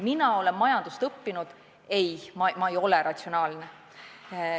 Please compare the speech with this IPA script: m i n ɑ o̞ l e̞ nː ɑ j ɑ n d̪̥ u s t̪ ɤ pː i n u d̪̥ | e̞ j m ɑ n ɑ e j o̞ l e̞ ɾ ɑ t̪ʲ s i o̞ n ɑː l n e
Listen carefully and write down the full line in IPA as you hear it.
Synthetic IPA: m i n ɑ o̞ l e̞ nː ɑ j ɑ n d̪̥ u s t̪ ɤ pː i n u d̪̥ | e̞ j m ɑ m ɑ e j o̞ l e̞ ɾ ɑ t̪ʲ s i o̞ n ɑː l n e